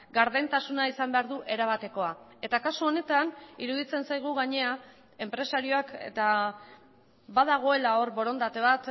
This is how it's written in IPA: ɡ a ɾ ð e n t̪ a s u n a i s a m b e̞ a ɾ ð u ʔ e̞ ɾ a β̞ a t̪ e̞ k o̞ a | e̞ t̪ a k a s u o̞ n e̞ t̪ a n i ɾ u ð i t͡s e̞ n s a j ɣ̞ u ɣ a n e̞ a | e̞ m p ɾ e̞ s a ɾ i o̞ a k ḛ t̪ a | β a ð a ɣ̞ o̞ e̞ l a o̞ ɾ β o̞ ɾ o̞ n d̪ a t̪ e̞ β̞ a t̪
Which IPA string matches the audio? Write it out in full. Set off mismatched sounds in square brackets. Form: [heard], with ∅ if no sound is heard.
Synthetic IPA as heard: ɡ a ɾ ð e n t̪ a s u n a i s a m b e̞ a ɾ ð u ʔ e̞ ɾ a β̞ a t̪ e̞ k o̞ a | e̞ t̪ a k a s u o̞ n e̞ t̪ a n i ɾ u ð i t͡s e̞ n s a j ɣ̞ u ɣ a [ɲ] e̞ a | e̞ m p ɾ e̞ s a ɾ i o̞ a k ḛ t̪ a | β a ð a ɣ̞ o̞ e̞ l a o̞ ɾ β o̞ ɾ o̞ n d̪ a t̪ e̞ β̞ a t̪

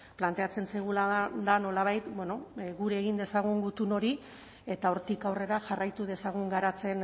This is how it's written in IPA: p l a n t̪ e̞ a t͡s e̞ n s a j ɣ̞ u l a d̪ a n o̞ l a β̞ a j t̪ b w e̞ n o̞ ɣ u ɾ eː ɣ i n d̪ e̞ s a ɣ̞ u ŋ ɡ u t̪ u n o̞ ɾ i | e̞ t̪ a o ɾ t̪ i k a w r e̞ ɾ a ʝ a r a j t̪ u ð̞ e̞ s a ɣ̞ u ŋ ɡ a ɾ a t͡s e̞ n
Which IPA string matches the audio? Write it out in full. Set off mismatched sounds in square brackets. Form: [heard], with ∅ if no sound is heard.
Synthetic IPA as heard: p l a n t̪ e̞ a t͡s e̞ n s a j ɣ̞ u l a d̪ a n o̞ l a β̞ a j t̪ b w e̞ n o̞ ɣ u ɾ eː ɣ i n d̪ e̞ s a ɣ̞ u ŋ ɡ u t̪ u n o̞ ɾ i | e̞ t̪ a o ɾ t̪ i k a w r e̞ ɾ a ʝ a r a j t̪ u ð̞ e̞ s a ɣ̞ u ŋ ɡ a ɾ a t͡s e̞ n

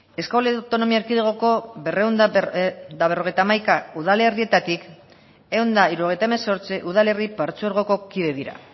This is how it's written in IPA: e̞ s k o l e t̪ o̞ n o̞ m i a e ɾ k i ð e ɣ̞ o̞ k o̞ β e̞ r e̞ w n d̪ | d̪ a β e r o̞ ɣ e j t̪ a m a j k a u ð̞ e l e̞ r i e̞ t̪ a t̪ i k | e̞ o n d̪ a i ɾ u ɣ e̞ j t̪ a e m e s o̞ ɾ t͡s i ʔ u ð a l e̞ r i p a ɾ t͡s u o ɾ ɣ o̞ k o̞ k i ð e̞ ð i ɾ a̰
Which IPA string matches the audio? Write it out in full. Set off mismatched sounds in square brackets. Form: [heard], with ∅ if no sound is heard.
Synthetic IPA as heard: e̞ s k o l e t̪ o̞ n o̞ m i a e ɾ k i ð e ɣ̞ o̞ k o̞ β e̞ r e̞ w n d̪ | d̪ a β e r o̞ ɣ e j t̪ a m a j k a u ð̞ [a] l e̞ r i e̞ t̪ a t̪ i k | e̞ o n d̪ a i ɾ u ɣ e̞ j t̪ a e m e s o̞ ɾ t͡s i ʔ u ð a l e̞ r i p a ɾ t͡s u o ɾ ɣ o̞ k o̞ k i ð e̞ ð i ɾ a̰

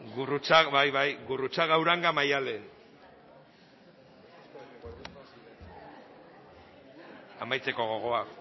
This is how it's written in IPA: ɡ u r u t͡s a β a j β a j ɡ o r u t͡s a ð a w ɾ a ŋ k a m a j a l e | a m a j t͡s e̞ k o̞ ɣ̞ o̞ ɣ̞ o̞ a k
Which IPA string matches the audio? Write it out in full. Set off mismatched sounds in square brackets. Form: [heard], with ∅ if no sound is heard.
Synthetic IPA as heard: ɡ u r u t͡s a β a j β a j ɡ [u] r u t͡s a [ɣ] a w ɾ a ŋ [ɡ] a m a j a l e | a m a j t͡s e̞ k o̞ ɣ̞ o̞ ɣ̞ o̞ a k

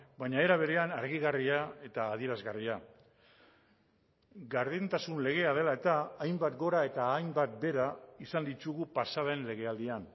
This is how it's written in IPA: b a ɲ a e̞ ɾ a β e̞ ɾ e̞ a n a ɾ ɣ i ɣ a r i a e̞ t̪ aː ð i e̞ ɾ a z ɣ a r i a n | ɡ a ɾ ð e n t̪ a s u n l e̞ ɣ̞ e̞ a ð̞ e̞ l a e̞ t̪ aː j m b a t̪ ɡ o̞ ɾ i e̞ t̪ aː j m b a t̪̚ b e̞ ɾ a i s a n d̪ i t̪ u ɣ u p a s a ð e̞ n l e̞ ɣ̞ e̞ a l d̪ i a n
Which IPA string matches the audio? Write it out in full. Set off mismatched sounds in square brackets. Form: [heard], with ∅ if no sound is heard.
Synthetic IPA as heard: b a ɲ a e̞ ɾ a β e̞ ɾ e̞ a n a ɾ ɣ i ɣ a r i a e̞ t̪ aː ð i e̞ ɾ a z ɣ a r i a [∅] | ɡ a ɾ ð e n t̪ a s u n l e̞ ɣ̞ e̞ a ð̞ e̞ l a e̞ t̪ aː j m b a t̪ ɡ o̞ ɾ [a] e̞ t̪ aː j m b a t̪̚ b e̞ ɾ a i s a n d̪ i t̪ u ɣ u p a s a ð e̞ n l e̞ ɣ̞ e̞ a l d̪ i a n

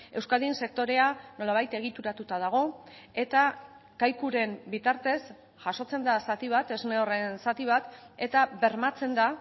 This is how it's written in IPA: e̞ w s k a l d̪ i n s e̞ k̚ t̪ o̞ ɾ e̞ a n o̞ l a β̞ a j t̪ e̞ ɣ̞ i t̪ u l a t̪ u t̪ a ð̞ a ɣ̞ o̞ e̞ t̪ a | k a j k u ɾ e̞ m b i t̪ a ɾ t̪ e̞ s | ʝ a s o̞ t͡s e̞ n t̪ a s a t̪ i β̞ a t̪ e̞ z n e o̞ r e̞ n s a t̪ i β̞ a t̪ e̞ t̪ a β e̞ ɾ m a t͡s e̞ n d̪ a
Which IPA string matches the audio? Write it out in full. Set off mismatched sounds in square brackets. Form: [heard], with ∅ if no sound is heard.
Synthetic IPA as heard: e̞ w s k a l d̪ i n s e̞ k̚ t̪ o̞ ɾ e̞ a n o̞ l a β̞ a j t̪ e̞ ɣ̞ i t̪ u [ɾ] a t̪ u t̪ a ð̞ a ɣ̞ o̞ e̞ t̪ a | k a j k u ɾ e̞ m b i t̪ a ɾ t̪ e̞ s | ʝ a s o̞ t͡s e̞ n [d̪] a s a t̪ i β̞ a t̪ e̞ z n e o̞ r e̞ n s a t̪ i β̞ a t̪ e̞ t̪ a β e̞ ɾ m a t͡s e̞ n d̪ a

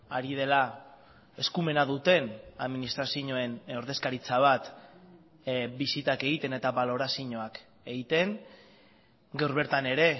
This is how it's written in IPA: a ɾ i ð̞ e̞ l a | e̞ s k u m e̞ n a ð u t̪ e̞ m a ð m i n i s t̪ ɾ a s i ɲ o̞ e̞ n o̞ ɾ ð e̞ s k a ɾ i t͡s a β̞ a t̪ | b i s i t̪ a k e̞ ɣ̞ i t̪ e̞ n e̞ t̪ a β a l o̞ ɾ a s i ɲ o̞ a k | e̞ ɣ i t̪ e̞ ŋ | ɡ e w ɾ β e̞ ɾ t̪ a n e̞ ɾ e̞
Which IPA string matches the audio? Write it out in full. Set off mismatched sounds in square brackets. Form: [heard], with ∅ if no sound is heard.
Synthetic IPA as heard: a ɾ i ð̞ e̞ l a | e̞ s k u m e̞ n a ð u t̪ e̞ [n] a ð m i n i s t̪ ɾ a s i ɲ o̞ e̞ n o̞ ɾ ð e̞ s k a ɾ i t͡s a β̞ a t̪ | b i s i t̪ a k e̞ ɣ̞ i t̪ e̞ n e̞ t̪ a β a l o̞ ɾ a s i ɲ o̞ a k | e̞ ɣ i t̪ e̞ ŋ | ɡ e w ɾ β e̞ ɾ t̪ a n e̞ ɾ e̞

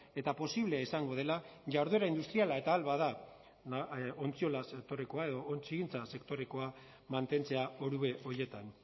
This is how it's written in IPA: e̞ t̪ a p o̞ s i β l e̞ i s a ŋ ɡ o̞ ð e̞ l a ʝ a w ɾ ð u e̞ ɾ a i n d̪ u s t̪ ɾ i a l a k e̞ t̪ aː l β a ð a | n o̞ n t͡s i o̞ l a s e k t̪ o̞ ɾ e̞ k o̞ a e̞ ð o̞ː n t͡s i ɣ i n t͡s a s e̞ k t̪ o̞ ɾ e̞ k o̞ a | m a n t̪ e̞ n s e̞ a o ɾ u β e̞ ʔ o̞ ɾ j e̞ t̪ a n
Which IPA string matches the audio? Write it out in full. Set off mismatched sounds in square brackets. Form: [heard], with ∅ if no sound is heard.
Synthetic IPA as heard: e̞ t̪ a p o̞ s i β l e̞ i s a ŋ ɡ o̞ ð e̞ l a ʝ a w ɾ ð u e̞ ɾ a i n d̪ u s t̪ ɾ i a l a [∅] e̞ t̪ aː l β a ð a | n o̞ n t͡s i o̞ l a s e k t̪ o̞ ɾ e̞ k o̞ a e̞ ð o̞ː n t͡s i ɣ i n t͡s a s e̞ k t̪ o̞ ɾ e̞ k o̞ a | m a n t̪ e̞ n [t͡s] e̞ a o ɾ u β e̞ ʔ o̞ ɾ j e̞ t̪ a n

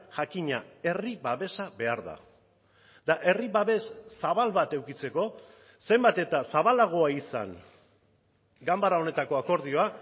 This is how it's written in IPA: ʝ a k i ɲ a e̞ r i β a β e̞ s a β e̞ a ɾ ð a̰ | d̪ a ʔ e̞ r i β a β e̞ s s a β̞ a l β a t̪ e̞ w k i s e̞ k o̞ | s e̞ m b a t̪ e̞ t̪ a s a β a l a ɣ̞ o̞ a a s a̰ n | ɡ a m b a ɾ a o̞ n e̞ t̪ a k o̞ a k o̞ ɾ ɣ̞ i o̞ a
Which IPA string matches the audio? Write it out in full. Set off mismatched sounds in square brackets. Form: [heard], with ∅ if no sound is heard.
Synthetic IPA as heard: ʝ a k i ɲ a e̞ r i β a β e̞ s a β e̞ a ɾ ð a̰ | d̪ a ʔ e̞ r i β a β e̞ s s a β̞ a l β a t̪ e̞ w k i [t͡s] e̞ k o̞ | s e̞ m b a t̪ e̞ t̪ a s a β a l a ɣ̞ o̞ a [i] s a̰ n | ɡ a m b a ɾ a o̞ n e̞ t̪ a k o̞ a k o̞ ɾ [ð̞] i o̞ a

